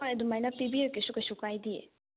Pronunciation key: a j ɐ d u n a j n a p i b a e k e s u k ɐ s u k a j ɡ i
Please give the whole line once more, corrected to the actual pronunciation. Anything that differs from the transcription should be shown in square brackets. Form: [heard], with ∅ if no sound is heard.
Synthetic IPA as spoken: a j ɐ d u [m] a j n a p i b [i] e k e s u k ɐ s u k a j [d] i